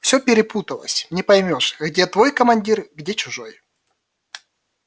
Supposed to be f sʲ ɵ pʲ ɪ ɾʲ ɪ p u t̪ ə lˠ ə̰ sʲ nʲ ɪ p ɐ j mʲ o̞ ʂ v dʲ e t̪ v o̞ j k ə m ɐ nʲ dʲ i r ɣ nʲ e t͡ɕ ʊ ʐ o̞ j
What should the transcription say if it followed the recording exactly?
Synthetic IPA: f sʲ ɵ pʲ ɪ ɾʲ ɪ p u t̪ ə lˠ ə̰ sʲ nʲ ɪ p ɐ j mʲ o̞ ʂ ɣ dʲ e t̪ v o̞ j k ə m ɐ nʲ dʲ i r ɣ dʲ e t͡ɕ ʊ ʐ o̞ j